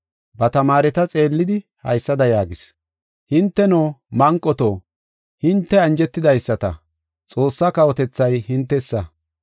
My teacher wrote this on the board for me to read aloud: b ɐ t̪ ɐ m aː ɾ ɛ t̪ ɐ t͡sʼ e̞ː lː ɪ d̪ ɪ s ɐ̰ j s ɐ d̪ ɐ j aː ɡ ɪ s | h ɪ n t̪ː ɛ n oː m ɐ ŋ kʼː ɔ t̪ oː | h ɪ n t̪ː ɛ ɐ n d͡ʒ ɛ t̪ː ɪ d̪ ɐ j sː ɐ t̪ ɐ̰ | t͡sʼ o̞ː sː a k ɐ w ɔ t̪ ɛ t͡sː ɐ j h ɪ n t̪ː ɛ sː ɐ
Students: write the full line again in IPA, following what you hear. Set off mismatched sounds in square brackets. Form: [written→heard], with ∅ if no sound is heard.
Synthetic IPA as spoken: b ɐ t̪ ɐ m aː ɾ ɛ t̪ ɐ t͡sʼ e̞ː lː ɪ d̪ ɪ [s→h] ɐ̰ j [s→sː] ɐ d̪ ɐ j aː ɡ ɪ s | h ɪ n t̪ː ɛ n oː m ɐ ŋ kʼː ɔ t̪ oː | h ɪ n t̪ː ɛ ɐ n d͡ʒ ɛ t̪ː ɪ d̪ ɐ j sː ɐ t̪ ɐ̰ | t͡sʼ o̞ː sː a k ɐ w ɔ t̪ ɛ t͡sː ɐ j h ɪ n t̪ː ɛ sː ɐ